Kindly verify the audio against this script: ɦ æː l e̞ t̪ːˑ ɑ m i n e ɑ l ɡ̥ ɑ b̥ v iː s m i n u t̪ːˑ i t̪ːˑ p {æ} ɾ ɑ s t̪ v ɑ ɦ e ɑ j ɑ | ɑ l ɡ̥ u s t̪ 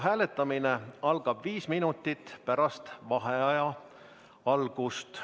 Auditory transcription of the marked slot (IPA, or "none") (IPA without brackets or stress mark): æ